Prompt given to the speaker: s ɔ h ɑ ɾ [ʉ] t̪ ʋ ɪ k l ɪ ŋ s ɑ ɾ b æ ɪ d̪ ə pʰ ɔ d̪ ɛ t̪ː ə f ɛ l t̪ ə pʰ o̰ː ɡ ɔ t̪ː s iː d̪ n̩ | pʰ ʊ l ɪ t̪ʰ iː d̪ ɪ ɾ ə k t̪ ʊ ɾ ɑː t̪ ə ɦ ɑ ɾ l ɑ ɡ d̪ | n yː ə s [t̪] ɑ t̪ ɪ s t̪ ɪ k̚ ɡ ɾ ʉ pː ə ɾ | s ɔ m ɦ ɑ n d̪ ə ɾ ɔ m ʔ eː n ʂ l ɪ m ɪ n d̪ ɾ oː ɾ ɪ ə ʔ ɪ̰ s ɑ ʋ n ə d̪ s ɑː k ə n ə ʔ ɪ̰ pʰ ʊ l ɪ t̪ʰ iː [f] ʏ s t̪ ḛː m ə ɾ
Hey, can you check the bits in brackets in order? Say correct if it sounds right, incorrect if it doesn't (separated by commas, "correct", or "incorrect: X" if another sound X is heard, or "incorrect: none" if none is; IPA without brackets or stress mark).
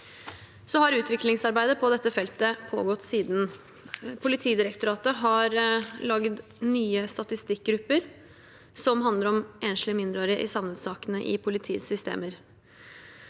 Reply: incorrect: ʉː, correct, incorrect: s